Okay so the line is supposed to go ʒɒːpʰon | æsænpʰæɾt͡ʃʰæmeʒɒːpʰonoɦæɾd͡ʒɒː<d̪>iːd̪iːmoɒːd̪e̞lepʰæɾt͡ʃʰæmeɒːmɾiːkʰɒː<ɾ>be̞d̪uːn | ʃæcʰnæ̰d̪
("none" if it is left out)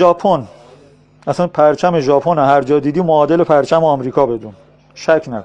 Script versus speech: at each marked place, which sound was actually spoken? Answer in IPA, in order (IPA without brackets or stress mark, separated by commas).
d̪, none